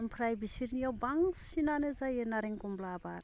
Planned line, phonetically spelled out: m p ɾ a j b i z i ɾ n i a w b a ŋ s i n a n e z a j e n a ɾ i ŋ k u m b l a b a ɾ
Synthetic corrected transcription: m p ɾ a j b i s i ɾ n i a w b a ŋ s i n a n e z a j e n a ɾ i ŋ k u m b l a b a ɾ